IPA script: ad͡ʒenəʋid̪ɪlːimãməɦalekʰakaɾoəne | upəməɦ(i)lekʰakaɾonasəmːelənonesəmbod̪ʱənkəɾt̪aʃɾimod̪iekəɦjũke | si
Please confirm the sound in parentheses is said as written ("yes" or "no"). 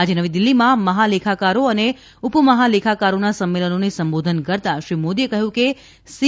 no